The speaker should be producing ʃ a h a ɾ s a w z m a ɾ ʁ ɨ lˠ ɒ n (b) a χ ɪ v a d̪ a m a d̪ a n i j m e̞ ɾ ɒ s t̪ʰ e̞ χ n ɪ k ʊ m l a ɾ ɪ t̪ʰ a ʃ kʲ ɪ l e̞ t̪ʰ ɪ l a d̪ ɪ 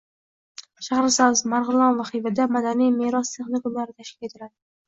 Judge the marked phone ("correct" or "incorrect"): incorrect